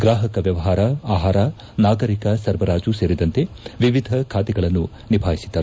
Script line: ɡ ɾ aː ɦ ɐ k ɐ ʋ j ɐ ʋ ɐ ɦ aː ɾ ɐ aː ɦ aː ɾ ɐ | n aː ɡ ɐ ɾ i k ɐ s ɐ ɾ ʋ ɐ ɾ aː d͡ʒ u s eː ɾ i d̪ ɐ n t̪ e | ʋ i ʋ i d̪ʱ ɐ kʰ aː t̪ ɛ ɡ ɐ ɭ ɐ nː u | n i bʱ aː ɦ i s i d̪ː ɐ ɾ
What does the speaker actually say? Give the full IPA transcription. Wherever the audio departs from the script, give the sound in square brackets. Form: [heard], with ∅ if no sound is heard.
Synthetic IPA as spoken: ɡ ɾ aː ɦ ɐ k ɐ ʋ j ɐ ʋ ɐ ɦ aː ɾ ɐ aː ɦ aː ɾ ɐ | n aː ɡ ɐ ɾ i k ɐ s ɐ ɾ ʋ ɐ ɾ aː d͡ʒ u s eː ɾ i d̪ ɐ n t̪ e | ʋ i ʋ i d̪ʱ ɐ kʰ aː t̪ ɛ ɡ ɐ ɭ ɐ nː u | n i bʱ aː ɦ i s i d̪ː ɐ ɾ